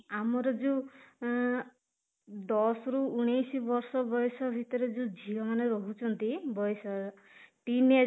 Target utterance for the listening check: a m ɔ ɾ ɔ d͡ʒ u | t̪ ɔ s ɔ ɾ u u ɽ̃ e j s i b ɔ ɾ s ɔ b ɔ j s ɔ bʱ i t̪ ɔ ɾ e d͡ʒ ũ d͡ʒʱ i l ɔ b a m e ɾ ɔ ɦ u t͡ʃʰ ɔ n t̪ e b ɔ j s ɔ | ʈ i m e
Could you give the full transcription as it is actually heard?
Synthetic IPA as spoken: a m ɔ ɾ ɔ d͡ʒ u | d̪ ɔ s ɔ ɾ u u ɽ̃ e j s i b ɔ ɾ s ɔ b ɔ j s ɔ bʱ i t̪ ɔ ɾ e d͡ʒ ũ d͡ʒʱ i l ɔ m a n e ɾ ɔ ɦ u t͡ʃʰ ɔ n t̪ i b ɔ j s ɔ | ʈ i n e

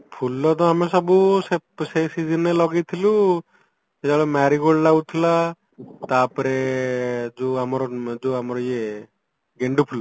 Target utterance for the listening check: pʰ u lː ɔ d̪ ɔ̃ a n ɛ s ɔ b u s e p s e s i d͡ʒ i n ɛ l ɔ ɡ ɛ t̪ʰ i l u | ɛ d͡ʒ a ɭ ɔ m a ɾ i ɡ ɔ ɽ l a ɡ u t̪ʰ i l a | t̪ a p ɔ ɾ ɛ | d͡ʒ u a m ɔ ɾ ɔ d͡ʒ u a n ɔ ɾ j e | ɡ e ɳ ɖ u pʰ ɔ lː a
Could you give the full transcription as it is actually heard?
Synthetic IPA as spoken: pʰ u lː ɔ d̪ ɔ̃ a m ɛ s ɔ b u s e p s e s i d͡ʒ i n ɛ l ɔ ɡ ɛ t̪ʰ i l u | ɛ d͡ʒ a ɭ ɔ m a ɾ i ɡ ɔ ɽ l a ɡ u t̪ʰ i l a | t̪ a p ɔ ɾ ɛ | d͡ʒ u a m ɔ ɾ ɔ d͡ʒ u a m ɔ ɾ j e | ɡ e ɳ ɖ u pʰ u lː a

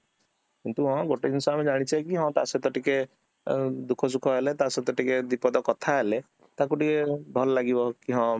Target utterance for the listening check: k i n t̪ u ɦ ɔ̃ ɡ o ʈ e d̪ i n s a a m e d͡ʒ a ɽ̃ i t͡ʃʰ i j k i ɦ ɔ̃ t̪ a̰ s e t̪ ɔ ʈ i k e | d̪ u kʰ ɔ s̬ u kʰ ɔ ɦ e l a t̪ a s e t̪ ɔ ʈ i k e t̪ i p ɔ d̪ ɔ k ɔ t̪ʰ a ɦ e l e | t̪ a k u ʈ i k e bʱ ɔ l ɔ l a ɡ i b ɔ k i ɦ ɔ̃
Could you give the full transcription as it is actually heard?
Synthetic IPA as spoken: k i n t̪ u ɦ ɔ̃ ɡ o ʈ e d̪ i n s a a m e d͡ʒ a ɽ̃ i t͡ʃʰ a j k i ɦ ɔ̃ t̪ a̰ s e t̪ ɔ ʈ i k e | d̪ u kʰ ɔ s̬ u kʰ ɔ ɦ e l e t̪ a s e t̪ ɔ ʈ i k e d̪ i p ɔ d̪ ɔ k ɔ t̪ʰ a ɦ e l e | t̪ a k u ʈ i k e bʱ ɔ l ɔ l a ɡ i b ɔ k i ɦ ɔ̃

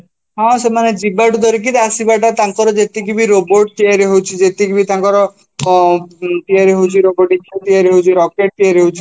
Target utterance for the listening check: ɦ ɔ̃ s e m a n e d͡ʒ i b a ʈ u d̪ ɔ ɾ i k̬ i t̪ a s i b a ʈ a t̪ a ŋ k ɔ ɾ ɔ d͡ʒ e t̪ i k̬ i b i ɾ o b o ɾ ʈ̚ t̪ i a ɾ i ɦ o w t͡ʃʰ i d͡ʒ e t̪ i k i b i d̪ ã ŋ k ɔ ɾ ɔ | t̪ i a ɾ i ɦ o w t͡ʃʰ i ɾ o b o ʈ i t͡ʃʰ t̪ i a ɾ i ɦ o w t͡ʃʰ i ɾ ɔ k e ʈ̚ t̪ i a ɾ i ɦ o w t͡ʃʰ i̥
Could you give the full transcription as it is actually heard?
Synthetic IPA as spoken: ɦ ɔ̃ s e m a n e d͡ʒ i b a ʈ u d̪ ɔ ɾ i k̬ i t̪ a s i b a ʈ a t̪ a ŋ k ɔ ɾ ɔ d͡ʒ e t̪ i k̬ i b i ɾ o b o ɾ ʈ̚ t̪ i a ɾ i ɦ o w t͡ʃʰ i d͡ʒ e t̪ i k i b i t̪ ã ŋ k ɔ ɾ ɔ | t̪ i a ɾ i ɦ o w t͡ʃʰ i ɾ o b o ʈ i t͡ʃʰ t̪ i a ɾ i ɦ o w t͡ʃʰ i ɾ ɔ k e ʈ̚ t̪ i a ɾ i ɦ o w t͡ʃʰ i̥

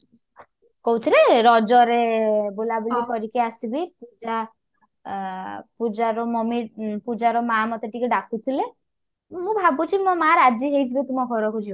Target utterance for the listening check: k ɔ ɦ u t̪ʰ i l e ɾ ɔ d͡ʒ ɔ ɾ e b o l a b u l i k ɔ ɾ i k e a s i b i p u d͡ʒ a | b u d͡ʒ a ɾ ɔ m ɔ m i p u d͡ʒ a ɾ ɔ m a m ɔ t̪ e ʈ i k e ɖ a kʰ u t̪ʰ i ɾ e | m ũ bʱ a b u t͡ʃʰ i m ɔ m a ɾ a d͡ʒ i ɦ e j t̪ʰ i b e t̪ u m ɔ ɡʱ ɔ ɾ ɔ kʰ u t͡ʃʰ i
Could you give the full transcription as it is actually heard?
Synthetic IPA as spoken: k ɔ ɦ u t̪ʰ i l e ɾ ɔ d͡ʒ ɔ ɾ e b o l a b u l i k ɔ ɾ i k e a s i b i p u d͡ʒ a | p u d͡ʒ a ɾ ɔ m ɔ m i p u d͡ʒ a ɾ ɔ m a m ɔ t̪ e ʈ i k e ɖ a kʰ u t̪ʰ i l e | m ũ bʱ a b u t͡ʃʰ i m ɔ m a ɾ a d͡ʒ i ɦ e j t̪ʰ i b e t̪ u m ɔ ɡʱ ɔ ɾ ɔ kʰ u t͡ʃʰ i

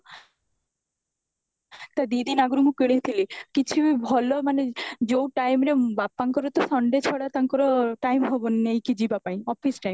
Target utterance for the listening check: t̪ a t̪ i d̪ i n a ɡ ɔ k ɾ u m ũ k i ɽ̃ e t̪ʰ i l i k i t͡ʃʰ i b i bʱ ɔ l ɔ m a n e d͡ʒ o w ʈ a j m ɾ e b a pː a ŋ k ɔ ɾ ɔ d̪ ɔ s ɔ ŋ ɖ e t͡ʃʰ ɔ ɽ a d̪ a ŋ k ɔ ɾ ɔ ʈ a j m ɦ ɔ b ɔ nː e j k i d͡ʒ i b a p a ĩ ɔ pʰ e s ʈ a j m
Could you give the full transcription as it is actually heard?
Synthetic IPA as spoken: t̪ a d̪ i d̪ i n a ɡ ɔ ɾ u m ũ k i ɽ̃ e t̪ʰ i l i k i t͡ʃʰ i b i bʱ ɔ l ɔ m a n e d͡ʒ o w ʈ a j m ɾ e b a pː a ŋ k ɔ ɾ ɔ t̪ ɔ s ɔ ɳ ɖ e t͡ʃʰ ɔ ɽ a t̪ a ŋ k ɔ ɾ ɔ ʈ a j m ɦ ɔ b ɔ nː e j k i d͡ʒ i b a p a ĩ ɔ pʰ i s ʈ a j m

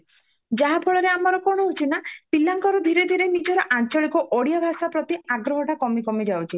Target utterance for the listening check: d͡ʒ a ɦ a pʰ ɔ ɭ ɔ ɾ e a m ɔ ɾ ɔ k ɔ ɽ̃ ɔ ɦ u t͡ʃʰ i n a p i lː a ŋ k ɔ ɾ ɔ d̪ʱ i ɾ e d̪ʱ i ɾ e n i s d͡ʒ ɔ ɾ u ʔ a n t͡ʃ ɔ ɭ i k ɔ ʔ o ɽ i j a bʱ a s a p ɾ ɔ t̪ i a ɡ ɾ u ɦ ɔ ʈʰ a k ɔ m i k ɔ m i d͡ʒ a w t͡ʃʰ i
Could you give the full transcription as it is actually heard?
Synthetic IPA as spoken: d͡ʒ a ɦ a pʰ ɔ ɭ ɔ ɾ e a m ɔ ɾ ɔ k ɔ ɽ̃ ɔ ɦ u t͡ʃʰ i n a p i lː a ŋ k ɔ ɾ ɔ d̪ʱ i ɾ e d̪ʱ i ɾ e n i d͡ʒ ɔ ɾ ɔ ʔ a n t͡ʃ ɔ ɭ i k ɔ ʔ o ɽ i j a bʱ a s a p ɾ ɔ t̪ i a ɡ ɾ ɔ ɦ ɔ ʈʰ a k ɔ m i k ɔ m i d͡ʒ a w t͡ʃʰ i

